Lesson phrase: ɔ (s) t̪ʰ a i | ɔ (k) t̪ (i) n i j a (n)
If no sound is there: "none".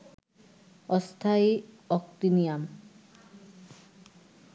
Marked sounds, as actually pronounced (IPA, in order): s, k, i, m

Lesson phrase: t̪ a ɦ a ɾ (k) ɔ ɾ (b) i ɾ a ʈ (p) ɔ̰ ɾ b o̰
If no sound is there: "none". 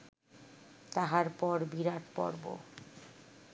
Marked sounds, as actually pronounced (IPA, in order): p, b, p

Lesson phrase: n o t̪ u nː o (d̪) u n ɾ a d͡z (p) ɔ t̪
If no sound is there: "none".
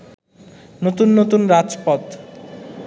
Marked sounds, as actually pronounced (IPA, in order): t̪, p

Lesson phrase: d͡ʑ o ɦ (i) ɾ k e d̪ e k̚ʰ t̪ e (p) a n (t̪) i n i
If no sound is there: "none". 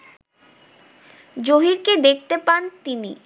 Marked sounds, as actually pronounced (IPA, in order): i, p, t̪

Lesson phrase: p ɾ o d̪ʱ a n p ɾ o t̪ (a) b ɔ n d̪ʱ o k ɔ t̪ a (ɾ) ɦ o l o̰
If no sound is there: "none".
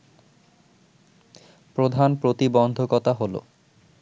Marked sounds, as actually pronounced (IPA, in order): i, none

